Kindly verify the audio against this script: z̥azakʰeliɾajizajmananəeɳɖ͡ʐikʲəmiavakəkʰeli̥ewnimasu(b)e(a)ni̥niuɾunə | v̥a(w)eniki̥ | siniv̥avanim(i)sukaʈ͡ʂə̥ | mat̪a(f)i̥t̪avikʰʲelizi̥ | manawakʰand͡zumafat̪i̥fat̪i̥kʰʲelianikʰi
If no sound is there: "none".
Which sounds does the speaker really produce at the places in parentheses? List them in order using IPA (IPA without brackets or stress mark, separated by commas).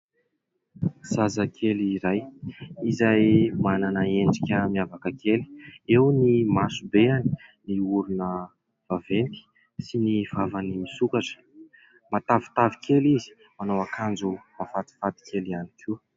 b, a, v, i, v